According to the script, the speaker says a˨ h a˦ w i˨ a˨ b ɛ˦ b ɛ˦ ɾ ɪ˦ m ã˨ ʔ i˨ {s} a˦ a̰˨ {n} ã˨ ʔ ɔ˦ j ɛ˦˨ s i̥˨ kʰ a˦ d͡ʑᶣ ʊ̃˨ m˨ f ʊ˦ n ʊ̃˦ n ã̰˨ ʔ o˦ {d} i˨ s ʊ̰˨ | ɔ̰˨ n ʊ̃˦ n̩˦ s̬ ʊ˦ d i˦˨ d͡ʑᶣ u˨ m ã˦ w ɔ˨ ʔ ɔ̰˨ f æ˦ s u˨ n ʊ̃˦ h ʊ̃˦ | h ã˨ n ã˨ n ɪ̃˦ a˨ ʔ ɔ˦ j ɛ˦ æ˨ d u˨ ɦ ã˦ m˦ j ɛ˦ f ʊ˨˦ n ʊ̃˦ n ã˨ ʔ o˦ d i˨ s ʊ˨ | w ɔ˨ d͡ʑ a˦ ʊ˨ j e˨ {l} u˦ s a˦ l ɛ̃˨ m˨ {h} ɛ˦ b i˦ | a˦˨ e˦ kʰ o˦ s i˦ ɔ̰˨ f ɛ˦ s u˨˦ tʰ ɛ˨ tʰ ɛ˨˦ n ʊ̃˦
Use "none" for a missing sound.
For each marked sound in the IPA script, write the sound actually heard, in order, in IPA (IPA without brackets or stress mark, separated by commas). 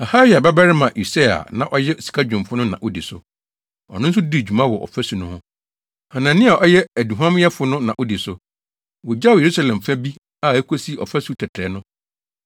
s, n, d, ɾ, f